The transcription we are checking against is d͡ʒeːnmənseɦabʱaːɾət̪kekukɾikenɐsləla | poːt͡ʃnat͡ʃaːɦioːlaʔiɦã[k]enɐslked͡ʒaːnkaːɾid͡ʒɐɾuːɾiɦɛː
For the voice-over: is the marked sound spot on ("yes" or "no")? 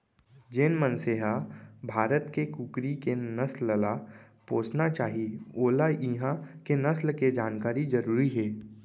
yes